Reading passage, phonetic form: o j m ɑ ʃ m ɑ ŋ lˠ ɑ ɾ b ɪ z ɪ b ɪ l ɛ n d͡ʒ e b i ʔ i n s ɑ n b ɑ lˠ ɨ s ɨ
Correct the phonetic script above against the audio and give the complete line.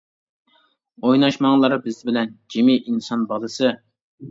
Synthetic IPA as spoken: o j n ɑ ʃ m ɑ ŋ lˠ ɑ ɾ b ɪ z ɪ b ɪ l ɛ n d͡ʒ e m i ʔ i n s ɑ n b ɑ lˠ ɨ s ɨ